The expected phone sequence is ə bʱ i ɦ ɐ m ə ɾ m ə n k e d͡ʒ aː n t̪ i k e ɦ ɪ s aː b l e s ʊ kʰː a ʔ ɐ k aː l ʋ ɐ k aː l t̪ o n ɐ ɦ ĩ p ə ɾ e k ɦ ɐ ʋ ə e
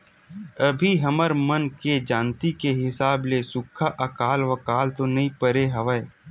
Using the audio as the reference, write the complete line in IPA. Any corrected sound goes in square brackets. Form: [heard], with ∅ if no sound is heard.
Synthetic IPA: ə bʱ i ɦ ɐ m ə ɾ m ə n k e d͡ʒ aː n t̪ i k e ɦ ɪ s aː b l e s ʊ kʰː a ʔ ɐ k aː l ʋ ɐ k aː l t̪ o n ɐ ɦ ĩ p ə ɾ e [∅] ɦ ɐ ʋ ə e